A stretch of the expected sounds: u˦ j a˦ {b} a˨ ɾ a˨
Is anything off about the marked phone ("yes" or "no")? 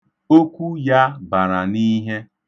no